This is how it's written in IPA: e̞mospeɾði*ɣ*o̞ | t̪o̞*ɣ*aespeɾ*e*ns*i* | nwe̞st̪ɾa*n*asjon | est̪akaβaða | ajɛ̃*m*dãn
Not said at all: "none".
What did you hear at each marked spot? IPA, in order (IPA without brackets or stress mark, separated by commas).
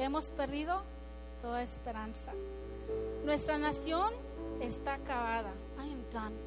ð, ð, a, a, n, m